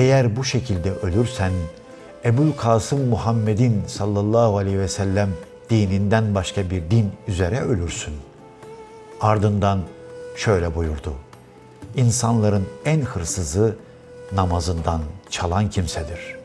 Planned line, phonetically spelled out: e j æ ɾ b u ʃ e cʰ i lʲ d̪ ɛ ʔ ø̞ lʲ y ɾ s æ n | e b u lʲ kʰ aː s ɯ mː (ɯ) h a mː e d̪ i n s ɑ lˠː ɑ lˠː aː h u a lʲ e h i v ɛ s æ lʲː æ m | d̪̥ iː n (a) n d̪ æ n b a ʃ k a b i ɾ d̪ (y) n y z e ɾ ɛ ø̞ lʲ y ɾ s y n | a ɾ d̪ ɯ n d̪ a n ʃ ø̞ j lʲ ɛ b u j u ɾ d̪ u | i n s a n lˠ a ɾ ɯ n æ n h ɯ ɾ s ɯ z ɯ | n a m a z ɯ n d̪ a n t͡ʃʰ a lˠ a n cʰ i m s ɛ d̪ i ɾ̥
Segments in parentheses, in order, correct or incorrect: incorrect: u, incorrect: i, incorrect: i

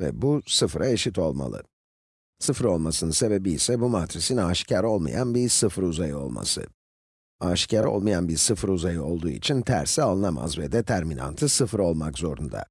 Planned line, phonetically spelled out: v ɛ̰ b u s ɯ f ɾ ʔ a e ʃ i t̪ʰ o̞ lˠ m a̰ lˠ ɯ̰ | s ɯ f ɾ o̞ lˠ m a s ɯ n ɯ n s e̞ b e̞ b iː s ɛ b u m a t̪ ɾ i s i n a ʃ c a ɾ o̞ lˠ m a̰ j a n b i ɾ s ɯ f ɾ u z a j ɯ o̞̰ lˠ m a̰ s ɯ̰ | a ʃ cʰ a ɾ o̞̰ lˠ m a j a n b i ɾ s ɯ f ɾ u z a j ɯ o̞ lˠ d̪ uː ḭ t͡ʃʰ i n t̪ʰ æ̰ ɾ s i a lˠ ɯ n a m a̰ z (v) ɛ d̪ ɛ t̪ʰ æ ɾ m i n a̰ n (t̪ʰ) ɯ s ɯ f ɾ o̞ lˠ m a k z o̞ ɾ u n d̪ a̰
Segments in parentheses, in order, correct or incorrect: correct, correct

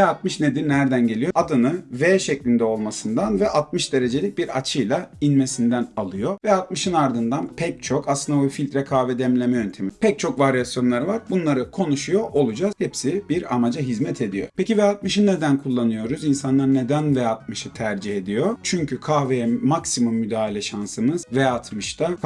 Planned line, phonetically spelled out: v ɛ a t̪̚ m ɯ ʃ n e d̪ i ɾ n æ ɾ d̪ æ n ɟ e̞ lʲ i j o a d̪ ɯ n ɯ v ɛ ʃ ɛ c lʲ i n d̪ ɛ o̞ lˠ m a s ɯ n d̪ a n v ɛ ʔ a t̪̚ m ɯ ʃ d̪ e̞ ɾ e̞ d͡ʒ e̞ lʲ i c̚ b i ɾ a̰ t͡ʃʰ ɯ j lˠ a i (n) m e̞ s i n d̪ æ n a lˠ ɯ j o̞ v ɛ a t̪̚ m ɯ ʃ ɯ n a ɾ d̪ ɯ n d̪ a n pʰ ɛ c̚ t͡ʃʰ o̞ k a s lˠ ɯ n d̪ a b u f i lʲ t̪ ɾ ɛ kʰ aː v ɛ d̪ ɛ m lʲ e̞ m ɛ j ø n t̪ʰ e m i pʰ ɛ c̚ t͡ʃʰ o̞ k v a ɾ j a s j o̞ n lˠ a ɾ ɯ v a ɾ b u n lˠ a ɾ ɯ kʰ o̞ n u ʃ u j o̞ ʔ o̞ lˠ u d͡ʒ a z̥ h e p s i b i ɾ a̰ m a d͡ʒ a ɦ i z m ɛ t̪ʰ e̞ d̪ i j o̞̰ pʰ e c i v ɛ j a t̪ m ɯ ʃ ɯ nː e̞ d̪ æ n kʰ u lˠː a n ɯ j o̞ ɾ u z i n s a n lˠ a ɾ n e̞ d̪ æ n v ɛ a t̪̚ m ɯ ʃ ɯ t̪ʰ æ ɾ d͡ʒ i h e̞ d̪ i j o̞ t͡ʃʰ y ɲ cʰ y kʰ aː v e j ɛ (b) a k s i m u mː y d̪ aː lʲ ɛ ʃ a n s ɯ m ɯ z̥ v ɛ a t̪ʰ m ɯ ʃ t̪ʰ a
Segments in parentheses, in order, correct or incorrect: correct, incorrect: m

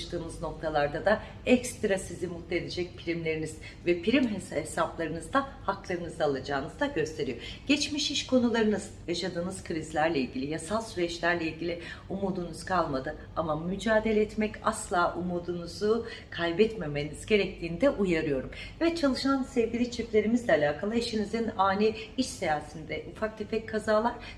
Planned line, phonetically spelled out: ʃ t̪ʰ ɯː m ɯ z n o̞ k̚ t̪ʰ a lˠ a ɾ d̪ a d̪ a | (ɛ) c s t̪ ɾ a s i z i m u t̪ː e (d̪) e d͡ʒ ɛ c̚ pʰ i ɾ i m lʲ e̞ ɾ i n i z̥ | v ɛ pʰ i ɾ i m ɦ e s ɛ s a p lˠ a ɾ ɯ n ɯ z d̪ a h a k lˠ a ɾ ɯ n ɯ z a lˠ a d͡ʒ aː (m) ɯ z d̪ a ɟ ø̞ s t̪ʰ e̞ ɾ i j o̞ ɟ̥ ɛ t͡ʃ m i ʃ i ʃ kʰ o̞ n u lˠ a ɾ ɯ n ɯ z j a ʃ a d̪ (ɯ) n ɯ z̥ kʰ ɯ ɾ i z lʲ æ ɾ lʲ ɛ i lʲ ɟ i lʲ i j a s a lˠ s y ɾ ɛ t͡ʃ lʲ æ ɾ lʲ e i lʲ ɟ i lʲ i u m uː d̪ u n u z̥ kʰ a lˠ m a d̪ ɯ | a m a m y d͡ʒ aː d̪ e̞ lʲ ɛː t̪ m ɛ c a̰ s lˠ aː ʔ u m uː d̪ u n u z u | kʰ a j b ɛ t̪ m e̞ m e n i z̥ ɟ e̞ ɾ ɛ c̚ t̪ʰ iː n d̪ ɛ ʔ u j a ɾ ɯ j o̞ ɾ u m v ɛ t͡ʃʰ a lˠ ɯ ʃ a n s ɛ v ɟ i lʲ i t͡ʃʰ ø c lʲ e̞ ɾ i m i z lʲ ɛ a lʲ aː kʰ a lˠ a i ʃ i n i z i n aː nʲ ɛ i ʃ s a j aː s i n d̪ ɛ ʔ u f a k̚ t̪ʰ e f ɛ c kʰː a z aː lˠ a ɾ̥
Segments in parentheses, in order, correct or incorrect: correct, correct, incorrect: n, incorrect: ɯː

